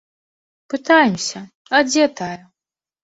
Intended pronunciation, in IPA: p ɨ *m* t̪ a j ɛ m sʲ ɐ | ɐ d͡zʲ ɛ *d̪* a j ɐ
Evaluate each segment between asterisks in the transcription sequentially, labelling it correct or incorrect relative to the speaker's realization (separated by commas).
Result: incorrect, incorrect